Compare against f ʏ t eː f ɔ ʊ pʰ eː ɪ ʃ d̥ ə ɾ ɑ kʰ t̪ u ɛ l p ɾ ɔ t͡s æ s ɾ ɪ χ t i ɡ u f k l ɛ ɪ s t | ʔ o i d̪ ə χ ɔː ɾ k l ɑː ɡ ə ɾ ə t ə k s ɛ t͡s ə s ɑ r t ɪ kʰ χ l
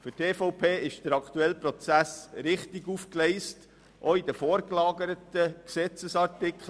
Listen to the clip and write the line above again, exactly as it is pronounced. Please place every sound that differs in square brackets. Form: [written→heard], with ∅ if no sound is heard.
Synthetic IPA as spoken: f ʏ t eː f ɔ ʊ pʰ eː ɪ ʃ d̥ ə ɾ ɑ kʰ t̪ u ɛ l p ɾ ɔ t͡s æ s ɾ ɪ χ t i ɡ u f k l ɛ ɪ s t | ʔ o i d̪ ə [χ→f] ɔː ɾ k l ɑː ɡ ə ɾ ə t ə k s ɛ t͡s ə s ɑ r t ɪ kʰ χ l